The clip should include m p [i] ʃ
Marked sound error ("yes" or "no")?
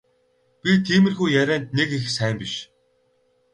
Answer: no